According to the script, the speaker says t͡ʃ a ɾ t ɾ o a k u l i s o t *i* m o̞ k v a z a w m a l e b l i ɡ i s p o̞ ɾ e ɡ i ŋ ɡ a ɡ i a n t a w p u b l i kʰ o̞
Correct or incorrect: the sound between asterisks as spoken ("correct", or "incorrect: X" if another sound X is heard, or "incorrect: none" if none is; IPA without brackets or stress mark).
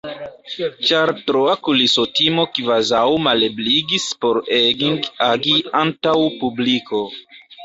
correct